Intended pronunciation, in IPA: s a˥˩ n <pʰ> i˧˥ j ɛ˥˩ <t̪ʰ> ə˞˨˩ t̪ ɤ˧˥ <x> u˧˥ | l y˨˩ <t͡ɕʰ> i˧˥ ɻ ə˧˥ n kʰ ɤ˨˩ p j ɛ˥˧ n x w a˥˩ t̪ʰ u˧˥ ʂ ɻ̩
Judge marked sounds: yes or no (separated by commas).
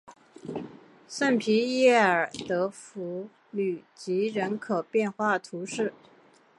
yes, no, no, no